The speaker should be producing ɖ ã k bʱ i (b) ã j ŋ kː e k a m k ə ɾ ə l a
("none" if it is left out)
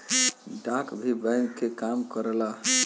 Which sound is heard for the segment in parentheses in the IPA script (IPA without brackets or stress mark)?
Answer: b